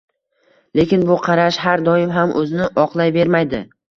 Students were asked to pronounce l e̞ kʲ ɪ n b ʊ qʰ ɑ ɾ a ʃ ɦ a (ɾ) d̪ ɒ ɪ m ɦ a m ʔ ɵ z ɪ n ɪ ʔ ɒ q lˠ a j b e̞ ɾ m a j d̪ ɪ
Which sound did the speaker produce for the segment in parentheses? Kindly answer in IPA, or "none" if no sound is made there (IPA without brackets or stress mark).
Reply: ɾ